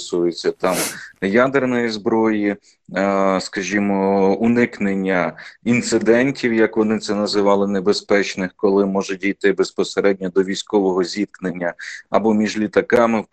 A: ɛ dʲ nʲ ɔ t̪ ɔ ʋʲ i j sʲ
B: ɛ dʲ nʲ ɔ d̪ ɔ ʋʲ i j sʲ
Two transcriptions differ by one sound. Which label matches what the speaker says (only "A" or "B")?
B